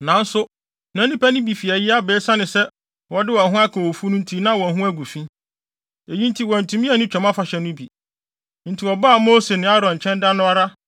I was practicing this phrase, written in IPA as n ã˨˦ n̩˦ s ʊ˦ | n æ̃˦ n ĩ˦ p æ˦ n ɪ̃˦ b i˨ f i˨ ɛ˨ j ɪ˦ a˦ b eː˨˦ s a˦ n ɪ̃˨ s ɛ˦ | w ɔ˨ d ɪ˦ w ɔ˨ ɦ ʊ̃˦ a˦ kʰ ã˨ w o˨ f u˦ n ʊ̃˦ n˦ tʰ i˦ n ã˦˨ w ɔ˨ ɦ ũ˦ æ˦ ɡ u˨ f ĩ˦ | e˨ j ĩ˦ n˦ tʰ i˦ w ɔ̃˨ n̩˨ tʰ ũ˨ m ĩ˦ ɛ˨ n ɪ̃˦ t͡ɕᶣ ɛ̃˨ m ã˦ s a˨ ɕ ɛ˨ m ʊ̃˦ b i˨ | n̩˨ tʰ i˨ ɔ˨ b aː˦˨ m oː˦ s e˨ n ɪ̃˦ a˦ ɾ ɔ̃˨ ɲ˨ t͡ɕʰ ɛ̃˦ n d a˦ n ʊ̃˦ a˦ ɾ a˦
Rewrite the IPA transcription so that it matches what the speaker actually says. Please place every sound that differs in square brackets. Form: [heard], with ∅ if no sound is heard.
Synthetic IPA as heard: n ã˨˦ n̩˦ s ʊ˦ | n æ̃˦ n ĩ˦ p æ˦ n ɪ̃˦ b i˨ f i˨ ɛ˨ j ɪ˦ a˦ b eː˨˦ s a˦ n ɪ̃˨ s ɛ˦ | w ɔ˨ d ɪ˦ w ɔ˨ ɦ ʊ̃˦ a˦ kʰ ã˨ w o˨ f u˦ n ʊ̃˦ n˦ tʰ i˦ n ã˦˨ w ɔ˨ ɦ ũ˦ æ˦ ɡ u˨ f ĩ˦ | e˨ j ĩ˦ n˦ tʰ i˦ w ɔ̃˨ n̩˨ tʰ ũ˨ m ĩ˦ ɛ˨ n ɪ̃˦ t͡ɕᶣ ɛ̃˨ m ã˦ [f] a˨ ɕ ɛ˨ [n] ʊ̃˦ b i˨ | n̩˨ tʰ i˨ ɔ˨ b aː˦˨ m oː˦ s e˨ n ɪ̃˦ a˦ ɾ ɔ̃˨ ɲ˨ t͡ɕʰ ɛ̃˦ n d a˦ n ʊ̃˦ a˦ ɾ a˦